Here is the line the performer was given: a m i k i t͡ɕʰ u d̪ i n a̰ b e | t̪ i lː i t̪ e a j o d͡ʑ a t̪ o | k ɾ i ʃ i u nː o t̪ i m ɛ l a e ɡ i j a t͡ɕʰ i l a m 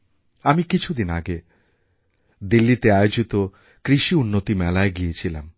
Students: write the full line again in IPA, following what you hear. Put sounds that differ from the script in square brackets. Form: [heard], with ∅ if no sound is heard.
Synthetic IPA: a m i k i t͡ɕʰ u d̪ i n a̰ [ɡ] e | [d̪] i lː i t̪ e a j o d͡ʑ [i] t̪ o | k ɾ i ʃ i u nː o t̪ i m ɛ l a e ɡ i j [e] t͡ɕʰ i l a m